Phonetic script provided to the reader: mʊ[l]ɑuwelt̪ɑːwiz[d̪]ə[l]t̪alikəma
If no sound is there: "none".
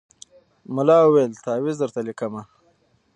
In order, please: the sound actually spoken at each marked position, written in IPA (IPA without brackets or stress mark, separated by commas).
l, d̪, ɾ